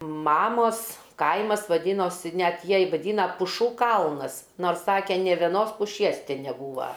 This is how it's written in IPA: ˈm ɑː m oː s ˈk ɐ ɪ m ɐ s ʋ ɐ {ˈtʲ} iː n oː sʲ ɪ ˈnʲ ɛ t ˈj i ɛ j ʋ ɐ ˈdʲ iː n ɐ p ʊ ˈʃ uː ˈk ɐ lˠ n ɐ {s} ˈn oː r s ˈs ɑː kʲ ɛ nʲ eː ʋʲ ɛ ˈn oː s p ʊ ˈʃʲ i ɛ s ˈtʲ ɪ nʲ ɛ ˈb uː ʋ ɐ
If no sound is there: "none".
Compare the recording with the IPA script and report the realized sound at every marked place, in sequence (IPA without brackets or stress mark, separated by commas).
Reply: dʲ, s